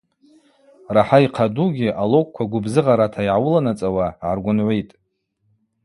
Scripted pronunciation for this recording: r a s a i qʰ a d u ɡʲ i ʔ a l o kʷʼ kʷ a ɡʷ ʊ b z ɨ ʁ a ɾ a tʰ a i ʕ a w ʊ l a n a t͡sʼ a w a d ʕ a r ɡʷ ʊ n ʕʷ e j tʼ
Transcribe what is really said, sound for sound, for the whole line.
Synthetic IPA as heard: r a ħ a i qʰ a d u ɡʲ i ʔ a l o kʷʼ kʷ a ɡʷ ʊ b z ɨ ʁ a ɾ a tʰ a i ʕ a w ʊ l a n a t͡sʼ a w a ʕ a r ɡʷ ʊ n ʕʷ e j tʼ